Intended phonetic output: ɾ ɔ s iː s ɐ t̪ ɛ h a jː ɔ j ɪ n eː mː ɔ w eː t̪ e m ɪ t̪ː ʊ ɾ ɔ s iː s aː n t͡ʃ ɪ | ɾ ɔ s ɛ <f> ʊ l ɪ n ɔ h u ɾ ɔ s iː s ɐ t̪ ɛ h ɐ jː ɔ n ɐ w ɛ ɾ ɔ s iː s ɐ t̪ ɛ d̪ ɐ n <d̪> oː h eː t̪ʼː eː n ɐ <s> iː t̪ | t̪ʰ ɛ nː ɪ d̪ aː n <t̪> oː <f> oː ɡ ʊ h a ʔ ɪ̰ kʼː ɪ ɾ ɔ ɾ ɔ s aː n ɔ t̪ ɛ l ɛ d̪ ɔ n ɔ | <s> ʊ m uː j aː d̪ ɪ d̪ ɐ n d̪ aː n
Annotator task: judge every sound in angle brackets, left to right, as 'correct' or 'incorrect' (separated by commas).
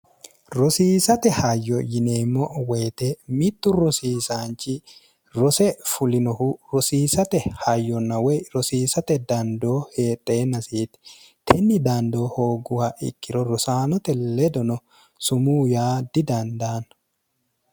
correct, correct, correct, incorrect, incorrect, correct